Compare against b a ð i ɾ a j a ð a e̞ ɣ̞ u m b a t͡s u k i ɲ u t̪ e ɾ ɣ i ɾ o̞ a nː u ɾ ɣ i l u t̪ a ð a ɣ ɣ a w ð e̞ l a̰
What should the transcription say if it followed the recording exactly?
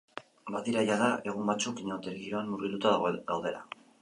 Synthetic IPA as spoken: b a ð i ɾ a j a ð a e̞ ɣ̞ u m b a t͡s u k i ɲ o t̪ e ɾ ɣ i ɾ o̞ a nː u ɾ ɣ i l u t̪ a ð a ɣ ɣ a w ð e̞ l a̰